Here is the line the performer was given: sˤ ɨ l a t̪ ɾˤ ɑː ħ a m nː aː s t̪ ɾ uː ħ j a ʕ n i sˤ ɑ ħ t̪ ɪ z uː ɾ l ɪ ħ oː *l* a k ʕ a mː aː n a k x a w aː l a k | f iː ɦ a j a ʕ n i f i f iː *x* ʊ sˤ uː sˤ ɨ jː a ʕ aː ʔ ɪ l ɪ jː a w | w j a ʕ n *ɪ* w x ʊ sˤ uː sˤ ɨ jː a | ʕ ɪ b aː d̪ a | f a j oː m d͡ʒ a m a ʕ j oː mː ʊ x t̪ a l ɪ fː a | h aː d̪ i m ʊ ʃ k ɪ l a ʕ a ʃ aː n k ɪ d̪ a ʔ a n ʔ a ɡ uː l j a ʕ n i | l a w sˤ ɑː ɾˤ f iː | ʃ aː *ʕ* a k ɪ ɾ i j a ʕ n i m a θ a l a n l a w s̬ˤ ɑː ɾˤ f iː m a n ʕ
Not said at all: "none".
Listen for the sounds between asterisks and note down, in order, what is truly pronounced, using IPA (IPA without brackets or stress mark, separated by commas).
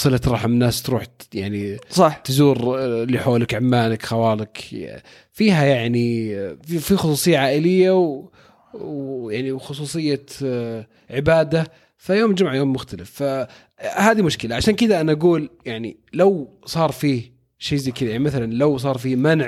l, x, i, z